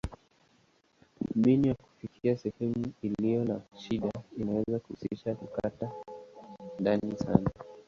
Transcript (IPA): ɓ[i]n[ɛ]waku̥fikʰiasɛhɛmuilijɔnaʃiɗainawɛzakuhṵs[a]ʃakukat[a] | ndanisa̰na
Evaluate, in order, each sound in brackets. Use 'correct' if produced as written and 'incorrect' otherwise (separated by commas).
correct, incorrect, incorrect, correct